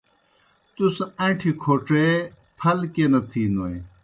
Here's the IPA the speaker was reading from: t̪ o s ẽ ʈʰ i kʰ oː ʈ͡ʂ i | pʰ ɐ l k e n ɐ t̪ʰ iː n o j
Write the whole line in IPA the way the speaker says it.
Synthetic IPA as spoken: t̪ u s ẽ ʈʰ i kʰ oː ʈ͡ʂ e | pʰ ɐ l k e n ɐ t̪ʰ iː n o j